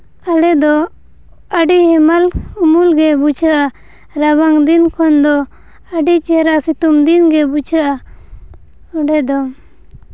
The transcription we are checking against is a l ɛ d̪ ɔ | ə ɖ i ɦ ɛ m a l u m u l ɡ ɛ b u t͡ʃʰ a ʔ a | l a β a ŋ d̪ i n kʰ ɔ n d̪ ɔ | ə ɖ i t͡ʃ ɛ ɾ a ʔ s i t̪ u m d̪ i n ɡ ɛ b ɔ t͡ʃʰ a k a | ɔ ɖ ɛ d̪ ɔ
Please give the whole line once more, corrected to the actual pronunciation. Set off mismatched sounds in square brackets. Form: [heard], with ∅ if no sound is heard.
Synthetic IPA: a l ɛ d̪ ɔ | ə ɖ i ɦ ɛ m a l u m u l ɡ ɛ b u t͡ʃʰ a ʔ a | [ɾ] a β a ŋ d̪ i n kʰ ɔ n d̪ ɔ | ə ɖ i t͡ʃ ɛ ɾ a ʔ s i t̪ u m d̪ i n ɡ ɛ b [u] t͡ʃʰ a [ʔ] a | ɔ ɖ ɛ d̪ ɔ